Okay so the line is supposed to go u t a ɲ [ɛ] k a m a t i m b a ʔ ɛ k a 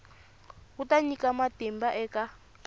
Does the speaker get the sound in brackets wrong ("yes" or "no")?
yes